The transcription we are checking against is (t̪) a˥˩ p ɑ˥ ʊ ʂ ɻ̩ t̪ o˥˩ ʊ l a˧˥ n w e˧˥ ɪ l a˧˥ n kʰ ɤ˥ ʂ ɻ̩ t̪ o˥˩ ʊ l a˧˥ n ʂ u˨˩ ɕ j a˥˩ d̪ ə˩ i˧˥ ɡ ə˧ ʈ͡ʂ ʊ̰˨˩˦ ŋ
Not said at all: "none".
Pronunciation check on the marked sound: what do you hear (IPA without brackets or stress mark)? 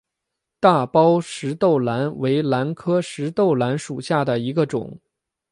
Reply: t̪